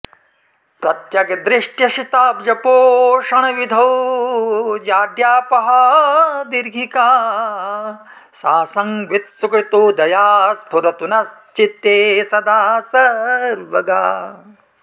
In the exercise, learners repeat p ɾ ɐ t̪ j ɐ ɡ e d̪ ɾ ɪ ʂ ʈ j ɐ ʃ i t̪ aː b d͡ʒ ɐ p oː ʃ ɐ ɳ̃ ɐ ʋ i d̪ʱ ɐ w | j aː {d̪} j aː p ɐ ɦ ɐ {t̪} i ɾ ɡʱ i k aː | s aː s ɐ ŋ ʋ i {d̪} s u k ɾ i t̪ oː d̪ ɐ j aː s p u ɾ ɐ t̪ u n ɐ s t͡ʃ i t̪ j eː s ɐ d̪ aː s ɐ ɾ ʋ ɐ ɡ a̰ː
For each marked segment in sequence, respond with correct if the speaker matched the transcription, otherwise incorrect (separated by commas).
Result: correct, incorrect, incorrect